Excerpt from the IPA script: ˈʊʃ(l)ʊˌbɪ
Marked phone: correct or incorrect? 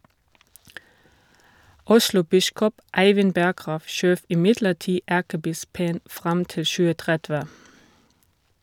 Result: correct